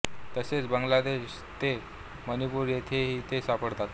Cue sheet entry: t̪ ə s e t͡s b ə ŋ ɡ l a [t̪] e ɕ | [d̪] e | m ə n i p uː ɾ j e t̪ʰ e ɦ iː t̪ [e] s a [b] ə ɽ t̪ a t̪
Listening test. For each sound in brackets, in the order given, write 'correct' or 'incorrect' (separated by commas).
incorrect, incorrect, correct, incorrect